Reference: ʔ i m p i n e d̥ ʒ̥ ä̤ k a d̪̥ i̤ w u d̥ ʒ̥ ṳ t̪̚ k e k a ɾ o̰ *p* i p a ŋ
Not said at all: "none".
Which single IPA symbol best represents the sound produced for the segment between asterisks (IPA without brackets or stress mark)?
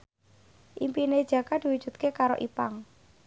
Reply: ʔ